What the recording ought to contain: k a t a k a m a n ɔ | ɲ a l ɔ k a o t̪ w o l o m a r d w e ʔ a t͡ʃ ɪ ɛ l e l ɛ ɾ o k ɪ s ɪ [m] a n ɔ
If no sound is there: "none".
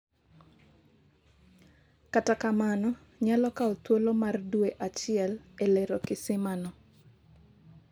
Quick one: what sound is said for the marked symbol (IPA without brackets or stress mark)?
m